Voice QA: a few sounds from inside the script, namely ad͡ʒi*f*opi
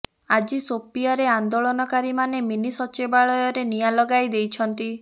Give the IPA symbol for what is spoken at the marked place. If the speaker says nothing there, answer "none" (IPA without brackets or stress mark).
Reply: s